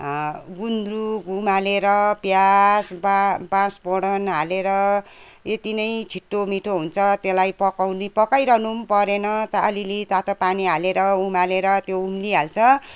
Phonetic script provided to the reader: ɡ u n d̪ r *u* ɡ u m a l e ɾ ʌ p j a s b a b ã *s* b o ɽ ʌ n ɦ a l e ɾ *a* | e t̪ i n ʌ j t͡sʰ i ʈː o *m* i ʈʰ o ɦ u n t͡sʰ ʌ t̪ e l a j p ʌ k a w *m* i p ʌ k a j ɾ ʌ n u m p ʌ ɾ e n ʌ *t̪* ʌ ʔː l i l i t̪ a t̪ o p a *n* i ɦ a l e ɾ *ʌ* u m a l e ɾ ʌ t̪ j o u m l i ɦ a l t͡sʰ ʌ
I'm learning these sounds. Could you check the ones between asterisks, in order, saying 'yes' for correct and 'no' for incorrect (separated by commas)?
yes, yes, no, yes, no, yes, yes, yes